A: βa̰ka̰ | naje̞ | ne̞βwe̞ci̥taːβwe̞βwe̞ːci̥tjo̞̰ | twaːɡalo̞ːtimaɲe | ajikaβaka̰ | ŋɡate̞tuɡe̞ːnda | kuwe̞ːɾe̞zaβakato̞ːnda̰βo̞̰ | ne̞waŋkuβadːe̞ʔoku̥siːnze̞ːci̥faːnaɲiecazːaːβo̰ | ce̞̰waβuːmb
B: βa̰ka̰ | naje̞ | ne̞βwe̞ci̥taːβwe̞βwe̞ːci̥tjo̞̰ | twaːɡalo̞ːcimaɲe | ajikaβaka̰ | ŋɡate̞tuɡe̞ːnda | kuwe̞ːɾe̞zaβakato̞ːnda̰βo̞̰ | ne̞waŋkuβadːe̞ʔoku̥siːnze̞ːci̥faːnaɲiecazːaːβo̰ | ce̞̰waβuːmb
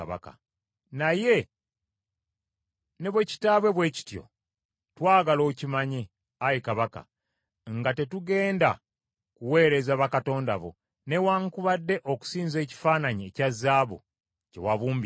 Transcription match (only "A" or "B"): B